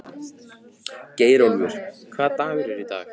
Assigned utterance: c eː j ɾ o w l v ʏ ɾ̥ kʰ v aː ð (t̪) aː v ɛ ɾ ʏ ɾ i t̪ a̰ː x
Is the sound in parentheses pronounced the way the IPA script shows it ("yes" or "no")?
yes